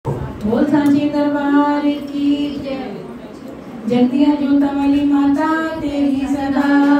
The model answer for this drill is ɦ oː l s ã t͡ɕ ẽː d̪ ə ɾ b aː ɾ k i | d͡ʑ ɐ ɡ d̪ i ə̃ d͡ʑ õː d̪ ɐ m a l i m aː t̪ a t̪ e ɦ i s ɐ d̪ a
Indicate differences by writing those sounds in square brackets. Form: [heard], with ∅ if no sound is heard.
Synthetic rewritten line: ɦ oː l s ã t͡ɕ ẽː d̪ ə ɾ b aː ɾ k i | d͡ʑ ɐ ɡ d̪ i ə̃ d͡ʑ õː [t̪] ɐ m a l i m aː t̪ a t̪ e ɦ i s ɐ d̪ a